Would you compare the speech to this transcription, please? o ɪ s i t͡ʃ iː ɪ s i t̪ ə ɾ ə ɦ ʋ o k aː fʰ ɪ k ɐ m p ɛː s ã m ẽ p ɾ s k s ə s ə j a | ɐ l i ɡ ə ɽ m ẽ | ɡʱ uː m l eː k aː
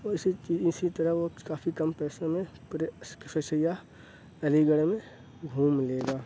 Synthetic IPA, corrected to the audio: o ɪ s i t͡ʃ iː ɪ s i t̪ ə ɾ ə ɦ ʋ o k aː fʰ i k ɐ m p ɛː s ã m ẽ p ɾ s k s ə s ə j a | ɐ l i ɡ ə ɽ m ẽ | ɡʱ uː m l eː ɡ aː

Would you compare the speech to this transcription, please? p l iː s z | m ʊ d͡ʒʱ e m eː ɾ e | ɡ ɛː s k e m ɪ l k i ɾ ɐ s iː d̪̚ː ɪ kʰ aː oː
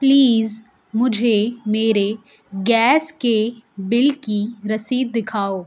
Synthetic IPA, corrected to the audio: p l iː z | m ʊ d͡ʒʱ e m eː ɾ e | ɡ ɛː s k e b ɪ l k i ɾ ɐ s iː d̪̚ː ɪ kʰ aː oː

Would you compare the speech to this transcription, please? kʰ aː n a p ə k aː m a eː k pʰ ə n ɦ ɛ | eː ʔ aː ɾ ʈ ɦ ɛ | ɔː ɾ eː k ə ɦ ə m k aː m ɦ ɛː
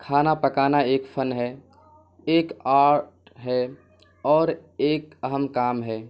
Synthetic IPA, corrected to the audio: kʰ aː n a p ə k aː n a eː k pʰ ə n ɦ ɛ | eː k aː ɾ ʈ ɦ ɛ | ɔː ɾ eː k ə ɦ ə m k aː m ɦ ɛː

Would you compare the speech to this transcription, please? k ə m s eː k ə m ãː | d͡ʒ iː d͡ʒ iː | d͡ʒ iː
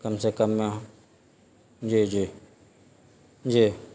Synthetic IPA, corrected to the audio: k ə m s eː k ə m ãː | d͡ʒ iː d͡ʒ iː | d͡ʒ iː

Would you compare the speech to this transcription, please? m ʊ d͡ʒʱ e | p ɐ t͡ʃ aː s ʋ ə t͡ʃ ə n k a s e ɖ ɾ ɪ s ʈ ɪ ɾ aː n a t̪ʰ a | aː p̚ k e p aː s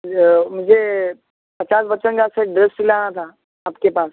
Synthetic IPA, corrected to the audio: m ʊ d͡ʒʱ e | p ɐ t͡ʃ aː s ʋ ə t͡ʃ ə n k a s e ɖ ɾ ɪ s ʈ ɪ l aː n a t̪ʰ a | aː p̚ k e p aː s

